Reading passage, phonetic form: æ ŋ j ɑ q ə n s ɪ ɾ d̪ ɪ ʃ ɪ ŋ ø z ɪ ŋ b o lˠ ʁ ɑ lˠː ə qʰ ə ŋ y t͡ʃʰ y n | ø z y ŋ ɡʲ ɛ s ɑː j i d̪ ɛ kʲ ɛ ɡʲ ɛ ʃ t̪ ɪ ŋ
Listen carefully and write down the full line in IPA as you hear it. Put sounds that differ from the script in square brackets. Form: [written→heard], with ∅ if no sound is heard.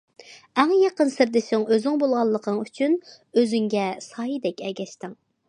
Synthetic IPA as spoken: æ ŋ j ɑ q ə n s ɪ ɾ d̪ ɪ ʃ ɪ ŋ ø z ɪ ŋ b o lˠ ʁ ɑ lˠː ə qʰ ə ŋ y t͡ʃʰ y n | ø z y ŋ ɡʲ ɛ s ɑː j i d̪ ɛ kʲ ɛ ɡʲ ɛ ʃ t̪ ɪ ŋ

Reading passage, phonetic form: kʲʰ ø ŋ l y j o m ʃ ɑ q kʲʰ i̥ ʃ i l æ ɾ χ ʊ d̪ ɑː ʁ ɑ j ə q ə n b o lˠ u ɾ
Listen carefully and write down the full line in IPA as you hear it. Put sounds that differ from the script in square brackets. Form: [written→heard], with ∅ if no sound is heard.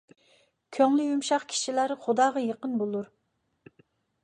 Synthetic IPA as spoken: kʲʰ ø ŋ l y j [o→u] m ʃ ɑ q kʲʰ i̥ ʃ i l æ ɾ χ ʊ d̪ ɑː ʁ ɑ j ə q ə n b o lˠ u ɾ

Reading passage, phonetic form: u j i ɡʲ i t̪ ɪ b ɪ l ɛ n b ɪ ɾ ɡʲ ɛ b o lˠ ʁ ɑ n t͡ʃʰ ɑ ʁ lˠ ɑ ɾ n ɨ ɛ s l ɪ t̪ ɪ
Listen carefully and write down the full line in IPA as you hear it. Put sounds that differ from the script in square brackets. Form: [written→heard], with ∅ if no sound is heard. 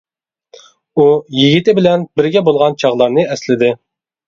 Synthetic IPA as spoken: u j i ɡʲ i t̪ ɪ b ɪ l ɛ n b ɪ ɾ ɡʲ ɛ b o lˠ ʁ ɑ n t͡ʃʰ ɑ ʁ lˠ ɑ ɾ n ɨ ɛ s l ɪ [t̪→d̪] ɪ

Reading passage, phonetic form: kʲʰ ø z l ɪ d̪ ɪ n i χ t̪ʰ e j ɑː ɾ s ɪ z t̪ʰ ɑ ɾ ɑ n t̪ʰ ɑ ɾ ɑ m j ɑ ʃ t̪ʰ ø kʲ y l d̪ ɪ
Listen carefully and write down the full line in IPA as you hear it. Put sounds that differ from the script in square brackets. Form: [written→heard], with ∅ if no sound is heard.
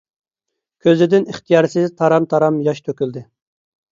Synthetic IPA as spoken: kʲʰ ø z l ɪ d̪ ɪ n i χ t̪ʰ [e→i] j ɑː ɾ s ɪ z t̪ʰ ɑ ɾ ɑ [n→m] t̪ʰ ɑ ɾ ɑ m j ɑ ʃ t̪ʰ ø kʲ y l d̪ ɪ

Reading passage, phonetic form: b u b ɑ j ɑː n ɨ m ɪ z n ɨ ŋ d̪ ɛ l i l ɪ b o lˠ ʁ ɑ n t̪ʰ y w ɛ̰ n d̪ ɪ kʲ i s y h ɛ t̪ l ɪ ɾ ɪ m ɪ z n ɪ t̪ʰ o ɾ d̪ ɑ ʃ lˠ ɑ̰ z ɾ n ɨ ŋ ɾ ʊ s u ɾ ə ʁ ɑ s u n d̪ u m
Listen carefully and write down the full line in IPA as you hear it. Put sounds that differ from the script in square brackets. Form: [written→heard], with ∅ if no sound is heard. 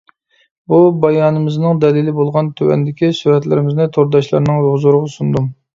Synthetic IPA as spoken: b u b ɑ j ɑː n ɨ m ɪ z n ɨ ŋ d̪ ɛ l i l ɪ b o lˠ ʁ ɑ n t̪ʰ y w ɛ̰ n d̪ ɪ kʲ i s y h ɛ t̪ l ɪ ɾ ɪ m ɪ z n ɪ t̪ʰ o ɾ d̪ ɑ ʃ lˠ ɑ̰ [z→∅] ɾ n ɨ ŋ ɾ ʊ [s→z] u ɾ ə ʁ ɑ s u n d̪ u m

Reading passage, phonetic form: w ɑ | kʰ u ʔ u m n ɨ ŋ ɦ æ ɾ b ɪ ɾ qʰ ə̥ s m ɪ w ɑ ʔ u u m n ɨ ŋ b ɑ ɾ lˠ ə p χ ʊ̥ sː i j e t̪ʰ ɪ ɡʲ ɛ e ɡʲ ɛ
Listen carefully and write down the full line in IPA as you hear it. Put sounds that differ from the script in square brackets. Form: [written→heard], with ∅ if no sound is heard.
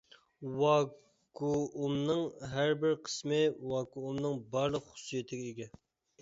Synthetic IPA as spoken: w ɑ | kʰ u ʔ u m n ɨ ŋ ɦ æ ɾ b ɪ ɾ qʰ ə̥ s m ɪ w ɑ [ʔ→k] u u m n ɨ ŋ b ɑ ɾ lˠ ə [p→q] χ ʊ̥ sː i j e t̪ʰ ɪ ɡʲ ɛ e ɡʲ ɛ

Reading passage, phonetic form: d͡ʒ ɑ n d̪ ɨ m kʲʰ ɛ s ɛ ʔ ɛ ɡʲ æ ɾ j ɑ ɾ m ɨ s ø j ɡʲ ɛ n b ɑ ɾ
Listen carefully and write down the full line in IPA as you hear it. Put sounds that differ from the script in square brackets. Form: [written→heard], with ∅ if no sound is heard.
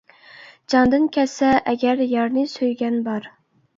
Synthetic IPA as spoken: d͡ʒ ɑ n d̪ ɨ [m→n] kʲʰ ɛ s ɛ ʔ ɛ ɡʲ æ ɾ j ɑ ɾ [m→n] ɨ s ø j ɡʲ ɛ n b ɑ ɾ

